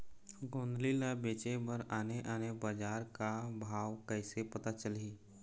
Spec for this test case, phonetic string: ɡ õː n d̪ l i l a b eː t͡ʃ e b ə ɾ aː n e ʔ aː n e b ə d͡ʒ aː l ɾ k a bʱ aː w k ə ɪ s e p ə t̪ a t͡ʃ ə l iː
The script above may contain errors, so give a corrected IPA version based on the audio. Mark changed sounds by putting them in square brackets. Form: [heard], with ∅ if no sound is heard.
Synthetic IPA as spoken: ɡ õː n d̪ l i l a b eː t͡ʃ e b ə ɾ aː n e ʔ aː n e b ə d͡ʒ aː [∅] ɾ k a bʱ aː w k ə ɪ s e p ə t̪ a t͡ʃ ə l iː